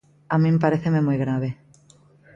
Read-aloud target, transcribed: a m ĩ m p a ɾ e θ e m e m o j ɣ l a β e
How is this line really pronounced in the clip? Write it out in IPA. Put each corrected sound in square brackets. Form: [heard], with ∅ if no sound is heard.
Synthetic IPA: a m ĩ m p a ɾ e θ e m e m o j ɣ [ɾ] a β e